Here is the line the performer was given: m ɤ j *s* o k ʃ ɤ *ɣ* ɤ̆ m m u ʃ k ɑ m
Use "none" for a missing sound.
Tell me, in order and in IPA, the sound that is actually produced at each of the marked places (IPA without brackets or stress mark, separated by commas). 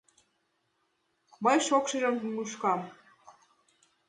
ʃ, ʒ